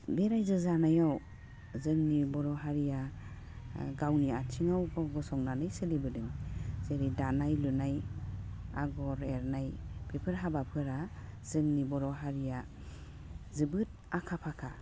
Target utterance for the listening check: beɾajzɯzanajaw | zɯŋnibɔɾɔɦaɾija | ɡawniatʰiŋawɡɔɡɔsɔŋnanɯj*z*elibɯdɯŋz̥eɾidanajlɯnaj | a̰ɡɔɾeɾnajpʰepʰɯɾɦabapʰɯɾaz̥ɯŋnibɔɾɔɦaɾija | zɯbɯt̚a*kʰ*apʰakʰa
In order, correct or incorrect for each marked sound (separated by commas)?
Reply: incorrect, correct